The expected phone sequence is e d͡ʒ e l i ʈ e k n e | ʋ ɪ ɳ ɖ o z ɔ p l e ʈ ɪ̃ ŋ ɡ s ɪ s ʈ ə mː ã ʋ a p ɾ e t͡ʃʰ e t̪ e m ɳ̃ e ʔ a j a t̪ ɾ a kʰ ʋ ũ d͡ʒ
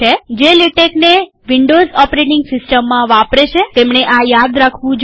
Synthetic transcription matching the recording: e d͡ʒ e l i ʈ e k n e | ʋ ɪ ɳ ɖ o z ɔ p ɾ e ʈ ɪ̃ ŋ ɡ s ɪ s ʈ ə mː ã ʋ a p ɾ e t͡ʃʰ e t̪ e m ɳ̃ e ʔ a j a d̪ ɾ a kʰ ʋ ũ d͡ʒ